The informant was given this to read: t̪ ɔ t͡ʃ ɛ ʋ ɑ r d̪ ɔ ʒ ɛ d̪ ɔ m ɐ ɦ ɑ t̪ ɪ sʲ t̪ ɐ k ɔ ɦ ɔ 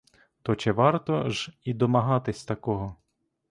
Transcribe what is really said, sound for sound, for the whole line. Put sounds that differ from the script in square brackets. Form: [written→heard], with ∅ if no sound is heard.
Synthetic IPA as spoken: t̪ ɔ t͡ʃ ɛ ʋ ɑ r [d̪→t̪] ɔ ʒ [ɛ→i] d̪ ɔ m ɐ ɦ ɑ t̪ ɪ sʲ t̪ ɐ k ɔ ɦ ɔ